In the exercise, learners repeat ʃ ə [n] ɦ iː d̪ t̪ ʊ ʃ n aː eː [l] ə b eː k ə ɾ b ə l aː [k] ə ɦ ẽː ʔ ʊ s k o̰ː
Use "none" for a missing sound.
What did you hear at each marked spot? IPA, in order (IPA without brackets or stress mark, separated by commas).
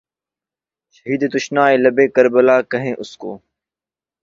none, l, k